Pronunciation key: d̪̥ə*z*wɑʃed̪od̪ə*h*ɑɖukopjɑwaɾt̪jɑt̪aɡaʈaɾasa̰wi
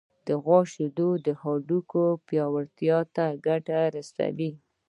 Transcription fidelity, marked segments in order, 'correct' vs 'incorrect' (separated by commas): incorrect, correct